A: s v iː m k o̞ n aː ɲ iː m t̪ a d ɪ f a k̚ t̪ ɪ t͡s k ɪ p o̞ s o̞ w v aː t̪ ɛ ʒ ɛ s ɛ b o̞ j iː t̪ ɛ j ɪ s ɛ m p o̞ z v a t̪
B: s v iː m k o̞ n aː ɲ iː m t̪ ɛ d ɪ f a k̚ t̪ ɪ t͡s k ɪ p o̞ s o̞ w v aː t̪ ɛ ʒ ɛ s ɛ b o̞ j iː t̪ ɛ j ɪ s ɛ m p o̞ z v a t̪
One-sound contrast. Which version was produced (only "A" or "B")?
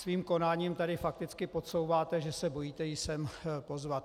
A